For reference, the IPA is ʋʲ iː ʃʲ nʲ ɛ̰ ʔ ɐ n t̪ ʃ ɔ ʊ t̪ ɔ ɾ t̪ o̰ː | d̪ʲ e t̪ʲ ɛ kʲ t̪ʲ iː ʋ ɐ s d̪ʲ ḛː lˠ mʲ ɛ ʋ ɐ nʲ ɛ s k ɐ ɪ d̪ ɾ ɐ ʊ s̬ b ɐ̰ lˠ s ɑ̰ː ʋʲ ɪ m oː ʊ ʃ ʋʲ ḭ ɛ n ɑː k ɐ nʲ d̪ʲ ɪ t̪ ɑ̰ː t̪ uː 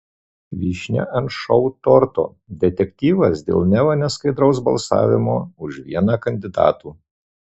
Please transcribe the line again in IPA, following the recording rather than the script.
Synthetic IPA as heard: ʋʲ iː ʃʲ nʲ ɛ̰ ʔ ɐ n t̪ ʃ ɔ ʊ t̪ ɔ ɾ t̪ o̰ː | d̪ʲ ɛ t̪ʲ ɛ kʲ t̪ʲ iː ʋ ɐ s d̪ʲ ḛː lˠ nʲ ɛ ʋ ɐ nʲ ɛ s k ɐ ɪ d̪ ɾ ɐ ʊ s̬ b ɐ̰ lˠ s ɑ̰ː ʋʲ ɪ m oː ʊ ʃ ʋʲ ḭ ɛ n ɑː k ɐ nʲ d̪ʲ ɪ d̪ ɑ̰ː t̪ uː

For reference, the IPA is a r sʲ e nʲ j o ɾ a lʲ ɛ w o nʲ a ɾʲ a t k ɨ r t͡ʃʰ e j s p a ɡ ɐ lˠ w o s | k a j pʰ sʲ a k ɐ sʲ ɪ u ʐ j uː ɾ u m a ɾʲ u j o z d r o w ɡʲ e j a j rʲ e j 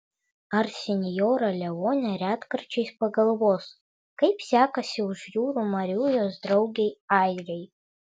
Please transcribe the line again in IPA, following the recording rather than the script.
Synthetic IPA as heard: a r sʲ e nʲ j o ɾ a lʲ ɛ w o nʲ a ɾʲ a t k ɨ r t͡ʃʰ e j s p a ɡ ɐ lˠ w o s | k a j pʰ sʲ a k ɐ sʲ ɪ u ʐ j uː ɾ u m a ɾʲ u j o z d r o w ɡʲ e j a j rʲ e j

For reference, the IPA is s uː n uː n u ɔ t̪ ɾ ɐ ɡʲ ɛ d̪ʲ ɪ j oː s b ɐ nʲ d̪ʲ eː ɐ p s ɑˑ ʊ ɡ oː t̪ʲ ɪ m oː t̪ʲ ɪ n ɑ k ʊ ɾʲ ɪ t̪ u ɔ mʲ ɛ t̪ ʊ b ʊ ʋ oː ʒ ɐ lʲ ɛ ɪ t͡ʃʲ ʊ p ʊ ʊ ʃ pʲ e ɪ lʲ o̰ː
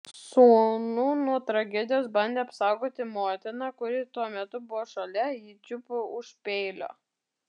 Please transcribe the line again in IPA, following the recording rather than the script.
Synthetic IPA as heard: s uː n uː n u ɔ t̪ ɾ ɐ ɡʲ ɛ d̪ʲ ɪ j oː s b ɐ nʲ d̪ʲ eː ɐ p s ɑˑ ʊ ɡ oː t̪ʲ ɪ m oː t̪ʲ ɪ n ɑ k ʊ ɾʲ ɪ t̪ u ɔ mʲ ɛ t̪ ʊ b ʊ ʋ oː ʃ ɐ lʲ ɛ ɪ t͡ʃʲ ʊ p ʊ ʊ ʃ pʲ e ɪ lʲ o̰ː

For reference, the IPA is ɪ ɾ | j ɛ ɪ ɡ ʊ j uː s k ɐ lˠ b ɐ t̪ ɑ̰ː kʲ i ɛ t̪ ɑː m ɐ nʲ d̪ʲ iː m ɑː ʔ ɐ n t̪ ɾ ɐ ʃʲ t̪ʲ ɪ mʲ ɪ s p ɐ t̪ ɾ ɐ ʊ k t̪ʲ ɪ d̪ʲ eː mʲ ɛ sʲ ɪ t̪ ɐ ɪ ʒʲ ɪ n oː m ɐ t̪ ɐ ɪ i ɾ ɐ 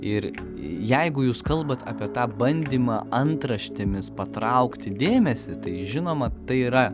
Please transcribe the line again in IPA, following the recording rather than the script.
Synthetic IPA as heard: ɪ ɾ | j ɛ ɪ ɡ ʊ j uː s k ɐ lˠ b ɐ t̪ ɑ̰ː pʲ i ɛ t̪ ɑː b ɐ nʲ d̪ʲ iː m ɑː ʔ ɐ n t̪ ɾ ɐ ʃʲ t̪ʲ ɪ mʲ ɪ s p ɐ t̪ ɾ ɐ ʊ k t̪ʲ ɪ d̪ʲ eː mʲ ɛ sʲ ɪ t̪ ɐ ɪ ʒʲ ɪ n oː m ɐ t̪ ɐ ɪ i ɾ ɐ

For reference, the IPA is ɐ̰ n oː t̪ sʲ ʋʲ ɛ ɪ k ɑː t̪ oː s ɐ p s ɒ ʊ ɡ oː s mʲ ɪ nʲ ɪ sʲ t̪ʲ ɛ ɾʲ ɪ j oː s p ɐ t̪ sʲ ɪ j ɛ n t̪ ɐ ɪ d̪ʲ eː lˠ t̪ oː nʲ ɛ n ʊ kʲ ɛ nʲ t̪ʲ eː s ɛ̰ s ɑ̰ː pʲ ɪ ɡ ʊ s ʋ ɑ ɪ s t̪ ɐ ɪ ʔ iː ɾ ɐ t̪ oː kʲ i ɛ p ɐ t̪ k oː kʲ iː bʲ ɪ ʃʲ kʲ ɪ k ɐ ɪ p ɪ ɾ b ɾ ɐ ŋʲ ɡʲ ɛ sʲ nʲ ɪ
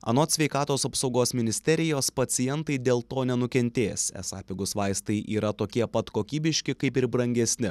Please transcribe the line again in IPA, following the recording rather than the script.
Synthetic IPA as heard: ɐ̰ n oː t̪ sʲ ʋʲ ɛ ɪ k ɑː t̪ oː s ɐ p s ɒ ʊ ɡ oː s mʲ ɪ nʲ ɪ sʲ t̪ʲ ɛ ɾʲ ɪ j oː s p ɐ t̪ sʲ ɪ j ɛ n t̪ ɐ ɪ d̪ʲ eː lˠ t̪ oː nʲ ɛ n ʊ kʲ ɛ nʲ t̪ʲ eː s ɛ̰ s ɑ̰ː pʲ ɪ ɡ ʊ s ʋ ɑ ɪ s t̪ ɐ ɪ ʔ iː ɾ ɐ t̪ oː kʲ i ɛ p ɐ t̪ k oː kʲ iː bʲ ɪ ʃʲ kʲ ɪ k ɐ ɪ p ɪ ɾ b ɾ ɐ ŋʲ ɡʲ ɛ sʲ nʲ ɪ

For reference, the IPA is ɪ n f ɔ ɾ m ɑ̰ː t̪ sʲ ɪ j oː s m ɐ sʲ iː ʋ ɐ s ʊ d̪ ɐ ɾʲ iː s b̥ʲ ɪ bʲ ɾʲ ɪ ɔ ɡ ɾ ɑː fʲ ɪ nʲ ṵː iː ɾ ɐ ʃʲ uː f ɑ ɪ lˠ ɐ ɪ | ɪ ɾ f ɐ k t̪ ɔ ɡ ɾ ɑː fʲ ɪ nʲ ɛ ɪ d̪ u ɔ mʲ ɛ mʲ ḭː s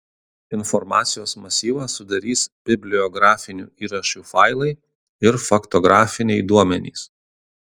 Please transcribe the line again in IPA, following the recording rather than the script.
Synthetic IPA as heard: ɪ n f ɔ ɾ m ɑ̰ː t̪ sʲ ɪ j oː s m ɐ sʲ iː ʋ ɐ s ʊ d̪ ɐ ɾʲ iː s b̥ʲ ɪ bʲ lʲ ɪ ɔ ɡ ɾ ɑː fʲ ɪ nʲ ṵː iː ɾ ɐ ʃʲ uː f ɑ ɪ lˠ ɐ ɪ | ɪ ɾ f ɐ k t̪ ɔ ɡ ɾ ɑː fʲ ɪ nʲ ɛ ɪ d̪ u ɔ mʲ ɛ nʲ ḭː s

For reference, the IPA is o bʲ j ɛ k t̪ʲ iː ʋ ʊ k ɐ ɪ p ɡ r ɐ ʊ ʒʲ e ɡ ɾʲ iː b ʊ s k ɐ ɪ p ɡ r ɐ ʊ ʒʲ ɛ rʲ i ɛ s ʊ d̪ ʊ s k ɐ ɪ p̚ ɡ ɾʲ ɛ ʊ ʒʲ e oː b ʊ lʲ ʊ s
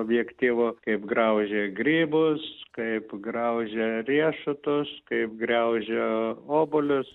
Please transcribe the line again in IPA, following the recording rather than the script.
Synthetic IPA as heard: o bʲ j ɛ k t̪ʲ iː ʋ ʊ k ɐ ɪ p ɡ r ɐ ʊ ʒʲ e ɡ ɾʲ iː b ʊ s k ɐ ɪ p ɡ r ɐ ʊ ʒʲ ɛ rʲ i ɛ ʃ ʊ t̪ ʊ s k ɐ ɪ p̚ ɡ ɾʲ ɛ ʊ ʒʲ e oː b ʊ lʲ ʊ s

